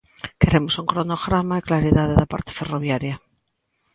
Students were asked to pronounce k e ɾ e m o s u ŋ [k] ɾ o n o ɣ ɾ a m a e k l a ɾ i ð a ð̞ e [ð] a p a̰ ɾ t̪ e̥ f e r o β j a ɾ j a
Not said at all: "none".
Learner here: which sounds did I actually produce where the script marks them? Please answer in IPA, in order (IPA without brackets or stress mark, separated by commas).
k, ð